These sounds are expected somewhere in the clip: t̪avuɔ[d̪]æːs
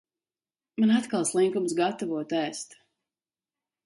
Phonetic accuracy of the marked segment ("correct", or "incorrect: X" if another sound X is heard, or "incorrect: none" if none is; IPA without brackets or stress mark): incorrect: t̪